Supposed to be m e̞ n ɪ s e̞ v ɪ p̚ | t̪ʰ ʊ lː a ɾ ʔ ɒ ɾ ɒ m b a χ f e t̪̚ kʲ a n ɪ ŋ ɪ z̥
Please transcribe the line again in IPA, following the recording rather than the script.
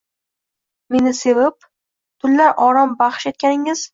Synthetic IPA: m e̞ n ɪ s e̞ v ɪ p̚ | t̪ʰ ʊ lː a ɾ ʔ ɒ ɾ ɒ m b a χ ʃ e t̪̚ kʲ a n ɪ ŋ ɪ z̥